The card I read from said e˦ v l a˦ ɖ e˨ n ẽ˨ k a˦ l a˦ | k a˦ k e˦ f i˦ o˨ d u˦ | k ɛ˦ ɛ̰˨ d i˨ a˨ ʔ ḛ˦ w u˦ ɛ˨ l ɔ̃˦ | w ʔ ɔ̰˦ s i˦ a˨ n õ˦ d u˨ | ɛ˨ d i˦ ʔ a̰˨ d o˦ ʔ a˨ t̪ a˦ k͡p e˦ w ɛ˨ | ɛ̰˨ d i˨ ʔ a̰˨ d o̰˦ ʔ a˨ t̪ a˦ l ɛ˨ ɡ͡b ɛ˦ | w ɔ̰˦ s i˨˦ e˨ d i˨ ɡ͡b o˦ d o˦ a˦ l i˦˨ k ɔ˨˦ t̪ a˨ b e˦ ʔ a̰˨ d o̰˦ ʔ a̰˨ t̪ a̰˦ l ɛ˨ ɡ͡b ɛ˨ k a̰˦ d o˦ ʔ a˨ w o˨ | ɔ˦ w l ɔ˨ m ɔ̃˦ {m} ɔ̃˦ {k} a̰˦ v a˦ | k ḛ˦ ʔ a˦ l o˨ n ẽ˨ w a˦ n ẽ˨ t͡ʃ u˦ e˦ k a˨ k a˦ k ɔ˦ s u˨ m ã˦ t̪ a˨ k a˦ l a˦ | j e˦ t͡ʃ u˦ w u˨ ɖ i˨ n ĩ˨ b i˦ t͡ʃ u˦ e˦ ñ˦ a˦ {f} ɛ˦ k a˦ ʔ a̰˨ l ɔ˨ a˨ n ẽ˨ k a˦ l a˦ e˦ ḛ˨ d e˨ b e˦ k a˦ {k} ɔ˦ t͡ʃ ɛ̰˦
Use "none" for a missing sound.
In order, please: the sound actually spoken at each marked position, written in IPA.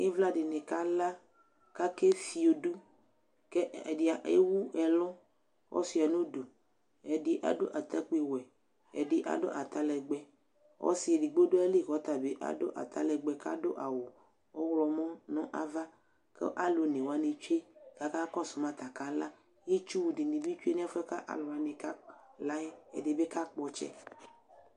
n, ʔ, f, k͡p

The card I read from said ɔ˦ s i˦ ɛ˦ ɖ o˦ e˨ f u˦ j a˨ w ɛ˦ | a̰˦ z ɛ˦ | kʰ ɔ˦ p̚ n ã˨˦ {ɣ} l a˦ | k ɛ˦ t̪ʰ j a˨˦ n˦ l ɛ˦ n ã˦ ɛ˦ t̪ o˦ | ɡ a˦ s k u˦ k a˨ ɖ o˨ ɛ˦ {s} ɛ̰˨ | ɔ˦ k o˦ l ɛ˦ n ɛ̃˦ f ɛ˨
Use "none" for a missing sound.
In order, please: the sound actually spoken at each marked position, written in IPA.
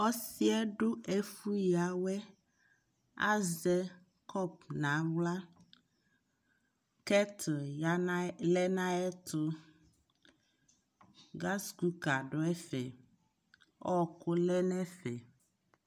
w, f

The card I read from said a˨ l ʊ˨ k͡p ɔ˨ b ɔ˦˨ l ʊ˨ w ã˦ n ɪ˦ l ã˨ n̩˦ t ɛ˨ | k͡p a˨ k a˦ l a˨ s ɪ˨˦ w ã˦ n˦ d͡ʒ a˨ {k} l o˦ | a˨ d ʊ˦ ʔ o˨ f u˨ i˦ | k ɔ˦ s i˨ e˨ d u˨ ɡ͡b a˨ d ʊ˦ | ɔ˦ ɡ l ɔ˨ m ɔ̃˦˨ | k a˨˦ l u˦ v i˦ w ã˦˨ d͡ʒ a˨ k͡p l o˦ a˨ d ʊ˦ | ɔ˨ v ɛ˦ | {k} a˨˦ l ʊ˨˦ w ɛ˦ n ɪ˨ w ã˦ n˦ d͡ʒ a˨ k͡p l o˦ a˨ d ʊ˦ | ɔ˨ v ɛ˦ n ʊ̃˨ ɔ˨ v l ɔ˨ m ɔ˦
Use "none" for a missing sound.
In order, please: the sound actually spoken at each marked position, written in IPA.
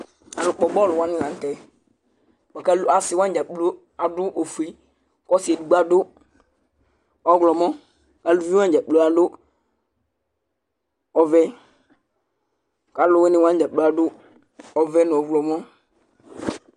k͡p, k

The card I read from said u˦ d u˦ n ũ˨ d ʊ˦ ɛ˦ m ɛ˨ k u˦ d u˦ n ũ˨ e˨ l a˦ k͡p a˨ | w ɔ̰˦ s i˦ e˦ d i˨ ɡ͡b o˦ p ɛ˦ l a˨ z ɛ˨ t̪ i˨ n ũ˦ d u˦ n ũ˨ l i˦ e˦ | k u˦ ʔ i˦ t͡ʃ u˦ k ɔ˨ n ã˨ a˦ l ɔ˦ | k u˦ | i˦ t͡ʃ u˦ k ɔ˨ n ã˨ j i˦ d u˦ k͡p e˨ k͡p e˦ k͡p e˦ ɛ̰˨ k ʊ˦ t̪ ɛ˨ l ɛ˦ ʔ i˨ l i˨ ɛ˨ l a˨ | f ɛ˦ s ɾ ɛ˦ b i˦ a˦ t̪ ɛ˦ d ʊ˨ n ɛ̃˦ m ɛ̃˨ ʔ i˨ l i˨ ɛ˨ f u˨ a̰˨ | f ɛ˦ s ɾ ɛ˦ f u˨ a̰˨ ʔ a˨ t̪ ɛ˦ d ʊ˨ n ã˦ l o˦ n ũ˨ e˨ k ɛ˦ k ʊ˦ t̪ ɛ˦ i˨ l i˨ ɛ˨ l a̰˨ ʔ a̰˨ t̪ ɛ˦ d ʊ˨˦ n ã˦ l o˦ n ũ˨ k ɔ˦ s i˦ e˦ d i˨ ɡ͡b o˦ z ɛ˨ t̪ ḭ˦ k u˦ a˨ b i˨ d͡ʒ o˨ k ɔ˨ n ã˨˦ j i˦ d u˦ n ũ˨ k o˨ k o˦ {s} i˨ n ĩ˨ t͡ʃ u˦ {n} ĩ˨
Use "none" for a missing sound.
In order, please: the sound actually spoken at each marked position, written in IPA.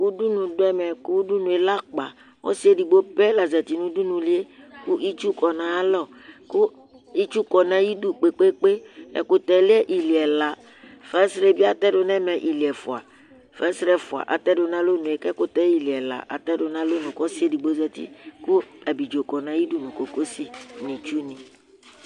s, n

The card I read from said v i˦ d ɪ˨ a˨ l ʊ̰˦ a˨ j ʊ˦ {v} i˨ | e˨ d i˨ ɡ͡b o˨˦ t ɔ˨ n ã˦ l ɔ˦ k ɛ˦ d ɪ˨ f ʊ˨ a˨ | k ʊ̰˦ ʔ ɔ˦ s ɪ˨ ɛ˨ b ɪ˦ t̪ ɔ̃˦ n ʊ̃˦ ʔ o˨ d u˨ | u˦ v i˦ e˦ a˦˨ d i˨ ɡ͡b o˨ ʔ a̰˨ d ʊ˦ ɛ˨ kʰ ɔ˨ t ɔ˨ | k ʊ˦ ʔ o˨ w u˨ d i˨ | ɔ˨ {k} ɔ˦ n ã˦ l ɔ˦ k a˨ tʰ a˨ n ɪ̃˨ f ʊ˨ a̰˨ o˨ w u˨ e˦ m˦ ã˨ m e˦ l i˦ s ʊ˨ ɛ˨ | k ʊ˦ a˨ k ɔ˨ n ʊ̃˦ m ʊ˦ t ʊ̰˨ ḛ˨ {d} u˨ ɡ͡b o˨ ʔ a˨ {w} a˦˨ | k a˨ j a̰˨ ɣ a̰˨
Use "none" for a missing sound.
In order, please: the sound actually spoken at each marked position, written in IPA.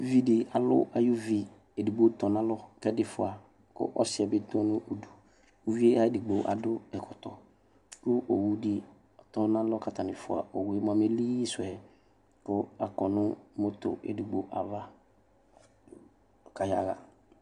v, t, d, v

